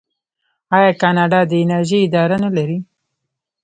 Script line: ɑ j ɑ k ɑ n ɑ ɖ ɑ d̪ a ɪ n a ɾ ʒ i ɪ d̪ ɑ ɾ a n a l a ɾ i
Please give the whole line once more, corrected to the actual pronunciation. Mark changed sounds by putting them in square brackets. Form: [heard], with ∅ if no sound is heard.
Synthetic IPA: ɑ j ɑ k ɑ n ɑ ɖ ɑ d̪ [ə] ɪ n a ɾ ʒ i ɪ d̪ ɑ ɾ a n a l a ɾ i